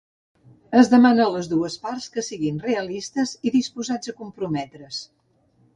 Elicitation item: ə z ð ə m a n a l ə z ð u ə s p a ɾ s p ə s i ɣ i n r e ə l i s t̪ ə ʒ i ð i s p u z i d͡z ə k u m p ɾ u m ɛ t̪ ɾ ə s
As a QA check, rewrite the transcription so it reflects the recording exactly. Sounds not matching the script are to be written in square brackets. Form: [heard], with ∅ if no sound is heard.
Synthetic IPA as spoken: ə z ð ə m a n [ə] l ə z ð u ə s p a ɾ s [k] ə s i ɣ i n r e ə l i s t̪ ə [z] i ð i s p u z [a] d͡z ə k u m p ɾ u m ɛ t̪ ɾ ə s